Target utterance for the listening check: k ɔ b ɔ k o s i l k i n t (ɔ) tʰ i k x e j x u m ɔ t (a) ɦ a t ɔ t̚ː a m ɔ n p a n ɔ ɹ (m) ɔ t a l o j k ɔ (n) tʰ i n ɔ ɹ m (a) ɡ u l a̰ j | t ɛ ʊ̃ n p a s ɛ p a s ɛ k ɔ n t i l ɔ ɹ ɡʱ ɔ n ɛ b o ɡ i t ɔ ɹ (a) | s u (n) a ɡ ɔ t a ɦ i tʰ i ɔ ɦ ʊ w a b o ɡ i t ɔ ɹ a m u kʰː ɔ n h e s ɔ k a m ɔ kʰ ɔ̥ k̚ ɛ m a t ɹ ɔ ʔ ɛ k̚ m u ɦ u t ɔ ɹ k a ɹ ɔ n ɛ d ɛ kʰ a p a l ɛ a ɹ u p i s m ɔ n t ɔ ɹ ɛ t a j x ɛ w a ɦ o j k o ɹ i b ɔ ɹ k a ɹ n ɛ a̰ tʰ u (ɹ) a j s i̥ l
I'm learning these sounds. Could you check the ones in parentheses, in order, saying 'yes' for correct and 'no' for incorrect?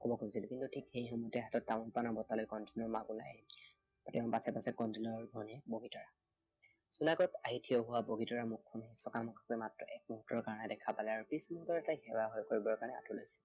no, no, no, yes, yes, yes, yes, no

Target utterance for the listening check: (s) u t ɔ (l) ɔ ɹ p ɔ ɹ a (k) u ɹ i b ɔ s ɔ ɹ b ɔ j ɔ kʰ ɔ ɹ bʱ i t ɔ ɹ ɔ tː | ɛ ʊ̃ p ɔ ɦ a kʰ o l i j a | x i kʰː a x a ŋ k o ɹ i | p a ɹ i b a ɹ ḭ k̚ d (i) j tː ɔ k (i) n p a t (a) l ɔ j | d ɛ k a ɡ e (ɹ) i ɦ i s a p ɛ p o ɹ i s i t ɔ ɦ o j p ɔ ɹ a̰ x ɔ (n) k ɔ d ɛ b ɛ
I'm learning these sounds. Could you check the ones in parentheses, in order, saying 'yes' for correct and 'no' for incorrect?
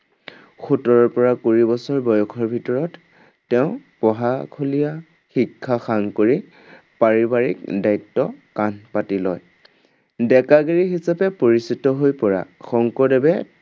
no, no, yes, no, no, no, yes, no

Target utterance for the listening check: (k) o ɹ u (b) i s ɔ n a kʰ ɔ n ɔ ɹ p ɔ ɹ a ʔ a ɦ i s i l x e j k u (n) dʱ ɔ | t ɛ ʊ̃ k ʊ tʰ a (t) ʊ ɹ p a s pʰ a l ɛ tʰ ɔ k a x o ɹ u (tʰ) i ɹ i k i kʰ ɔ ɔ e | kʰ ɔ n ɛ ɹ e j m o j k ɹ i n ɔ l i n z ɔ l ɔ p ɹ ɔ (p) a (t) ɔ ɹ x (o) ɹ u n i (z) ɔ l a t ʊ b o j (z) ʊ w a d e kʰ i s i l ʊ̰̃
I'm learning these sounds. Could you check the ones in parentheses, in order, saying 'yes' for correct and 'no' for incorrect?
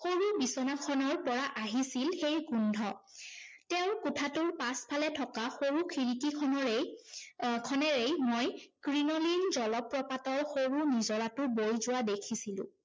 no, yes, yes, yes, no, yes, yes, yes, yes, yes

